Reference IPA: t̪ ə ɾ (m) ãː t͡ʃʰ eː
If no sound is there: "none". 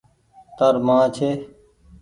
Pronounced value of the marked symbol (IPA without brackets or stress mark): m